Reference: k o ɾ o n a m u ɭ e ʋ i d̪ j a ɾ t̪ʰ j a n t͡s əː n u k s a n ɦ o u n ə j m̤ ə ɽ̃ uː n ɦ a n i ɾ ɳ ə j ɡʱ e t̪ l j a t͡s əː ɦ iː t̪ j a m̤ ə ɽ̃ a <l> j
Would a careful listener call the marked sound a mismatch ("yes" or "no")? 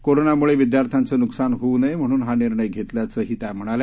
no